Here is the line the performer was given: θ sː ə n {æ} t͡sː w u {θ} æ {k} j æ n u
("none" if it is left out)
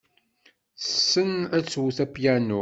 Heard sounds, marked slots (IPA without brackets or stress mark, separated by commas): æ, θ, p